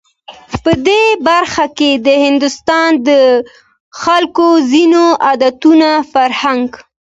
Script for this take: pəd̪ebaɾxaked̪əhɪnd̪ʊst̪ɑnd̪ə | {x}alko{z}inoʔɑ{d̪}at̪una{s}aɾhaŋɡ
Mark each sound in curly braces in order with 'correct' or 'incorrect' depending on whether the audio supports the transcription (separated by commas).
correct, correct, correct, incorrect